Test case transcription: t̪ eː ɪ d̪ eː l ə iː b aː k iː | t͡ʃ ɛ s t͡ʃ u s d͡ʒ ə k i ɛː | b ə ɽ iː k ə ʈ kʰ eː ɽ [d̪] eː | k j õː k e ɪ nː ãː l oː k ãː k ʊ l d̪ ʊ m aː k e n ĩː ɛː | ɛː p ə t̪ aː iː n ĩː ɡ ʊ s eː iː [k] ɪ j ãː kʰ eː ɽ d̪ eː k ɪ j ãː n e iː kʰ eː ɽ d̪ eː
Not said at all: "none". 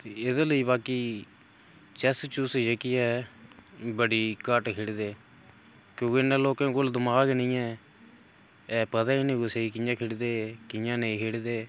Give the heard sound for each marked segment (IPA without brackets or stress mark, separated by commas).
d̪, k